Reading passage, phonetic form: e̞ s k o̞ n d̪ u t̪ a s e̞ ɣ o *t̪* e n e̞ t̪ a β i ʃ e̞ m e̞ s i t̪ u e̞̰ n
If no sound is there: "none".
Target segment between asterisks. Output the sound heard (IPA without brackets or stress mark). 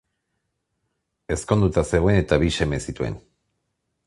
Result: none